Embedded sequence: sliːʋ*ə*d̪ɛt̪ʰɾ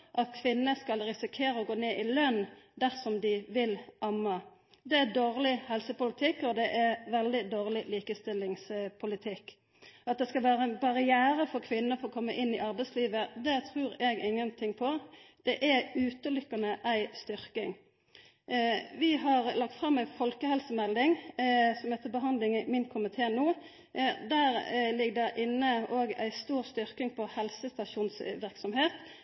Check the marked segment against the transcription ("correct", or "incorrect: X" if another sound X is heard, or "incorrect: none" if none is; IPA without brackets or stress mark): correct